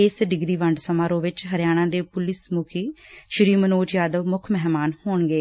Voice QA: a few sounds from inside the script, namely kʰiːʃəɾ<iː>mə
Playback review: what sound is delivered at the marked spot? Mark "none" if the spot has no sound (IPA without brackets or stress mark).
iː